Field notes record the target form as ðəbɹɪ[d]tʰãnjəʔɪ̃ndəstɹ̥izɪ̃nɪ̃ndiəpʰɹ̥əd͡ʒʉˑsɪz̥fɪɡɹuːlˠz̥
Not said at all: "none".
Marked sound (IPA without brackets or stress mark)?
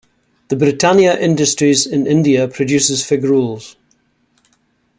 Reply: none